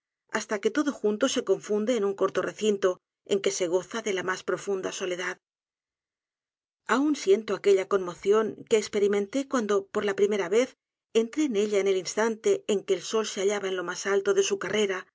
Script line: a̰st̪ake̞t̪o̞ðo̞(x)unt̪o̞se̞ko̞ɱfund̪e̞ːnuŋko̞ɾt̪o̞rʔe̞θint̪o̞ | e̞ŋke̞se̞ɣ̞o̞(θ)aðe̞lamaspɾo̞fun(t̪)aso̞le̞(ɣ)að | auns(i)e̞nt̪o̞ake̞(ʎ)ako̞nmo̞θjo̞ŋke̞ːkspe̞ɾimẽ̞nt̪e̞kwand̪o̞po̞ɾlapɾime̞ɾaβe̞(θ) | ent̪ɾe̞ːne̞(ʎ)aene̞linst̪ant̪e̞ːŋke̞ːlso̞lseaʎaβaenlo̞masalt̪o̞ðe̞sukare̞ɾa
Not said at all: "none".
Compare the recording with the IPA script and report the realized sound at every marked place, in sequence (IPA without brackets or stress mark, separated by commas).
x, θ, d̪, ð, j, ʎ, θ, ʎ